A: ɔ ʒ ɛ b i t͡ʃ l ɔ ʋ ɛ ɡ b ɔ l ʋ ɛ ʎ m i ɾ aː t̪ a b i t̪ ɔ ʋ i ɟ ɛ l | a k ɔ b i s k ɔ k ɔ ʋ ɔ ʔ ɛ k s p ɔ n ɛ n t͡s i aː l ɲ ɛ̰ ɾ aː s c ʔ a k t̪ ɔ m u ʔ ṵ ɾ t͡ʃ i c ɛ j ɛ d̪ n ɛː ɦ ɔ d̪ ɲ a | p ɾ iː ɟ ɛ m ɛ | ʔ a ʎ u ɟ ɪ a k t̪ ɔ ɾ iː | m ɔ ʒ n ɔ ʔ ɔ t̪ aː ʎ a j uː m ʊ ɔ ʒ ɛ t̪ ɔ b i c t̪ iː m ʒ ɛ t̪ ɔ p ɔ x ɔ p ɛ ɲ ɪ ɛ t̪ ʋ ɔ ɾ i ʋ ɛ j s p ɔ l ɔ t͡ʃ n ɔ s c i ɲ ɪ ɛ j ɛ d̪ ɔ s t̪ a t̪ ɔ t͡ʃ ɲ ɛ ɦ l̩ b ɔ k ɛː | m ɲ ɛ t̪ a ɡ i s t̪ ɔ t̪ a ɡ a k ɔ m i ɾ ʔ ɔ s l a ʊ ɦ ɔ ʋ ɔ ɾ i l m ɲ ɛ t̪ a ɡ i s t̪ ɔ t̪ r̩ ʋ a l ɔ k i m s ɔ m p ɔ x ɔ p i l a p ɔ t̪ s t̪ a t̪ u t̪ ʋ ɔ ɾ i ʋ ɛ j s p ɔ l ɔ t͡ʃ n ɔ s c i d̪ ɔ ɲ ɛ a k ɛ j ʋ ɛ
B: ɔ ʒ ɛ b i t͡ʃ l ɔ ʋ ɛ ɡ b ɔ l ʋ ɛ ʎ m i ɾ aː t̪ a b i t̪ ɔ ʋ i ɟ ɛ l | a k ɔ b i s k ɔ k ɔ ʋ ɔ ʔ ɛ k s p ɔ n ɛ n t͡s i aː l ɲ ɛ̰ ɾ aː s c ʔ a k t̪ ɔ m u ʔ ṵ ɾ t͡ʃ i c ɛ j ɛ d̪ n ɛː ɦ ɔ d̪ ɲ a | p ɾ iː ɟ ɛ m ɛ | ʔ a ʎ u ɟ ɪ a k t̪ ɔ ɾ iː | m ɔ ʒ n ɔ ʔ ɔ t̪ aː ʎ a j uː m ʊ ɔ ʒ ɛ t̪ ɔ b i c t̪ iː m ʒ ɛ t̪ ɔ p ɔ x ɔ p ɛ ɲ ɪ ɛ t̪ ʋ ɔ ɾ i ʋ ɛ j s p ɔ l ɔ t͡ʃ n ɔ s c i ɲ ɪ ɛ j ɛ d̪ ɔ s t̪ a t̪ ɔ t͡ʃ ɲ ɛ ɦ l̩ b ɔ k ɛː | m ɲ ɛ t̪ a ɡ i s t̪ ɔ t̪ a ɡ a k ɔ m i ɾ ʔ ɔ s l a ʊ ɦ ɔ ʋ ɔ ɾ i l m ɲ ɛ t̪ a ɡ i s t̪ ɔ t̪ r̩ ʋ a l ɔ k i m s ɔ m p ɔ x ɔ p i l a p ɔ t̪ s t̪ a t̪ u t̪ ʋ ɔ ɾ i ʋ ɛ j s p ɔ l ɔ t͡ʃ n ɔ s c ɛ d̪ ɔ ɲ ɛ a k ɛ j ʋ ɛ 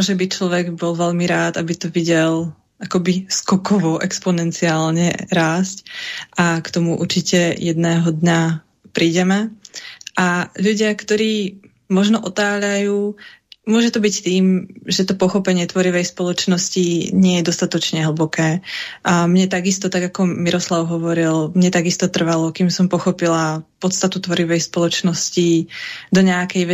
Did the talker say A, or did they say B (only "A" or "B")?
A